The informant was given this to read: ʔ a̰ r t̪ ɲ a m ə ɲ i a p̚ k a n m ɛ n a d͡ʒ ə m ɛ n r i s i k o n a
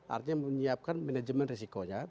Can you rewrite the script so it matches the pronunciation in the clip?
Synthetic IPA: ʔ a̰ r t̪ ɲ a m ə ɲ i a p̚ k a n m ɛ n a d͡ʒ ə m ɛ n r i s i k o ɲ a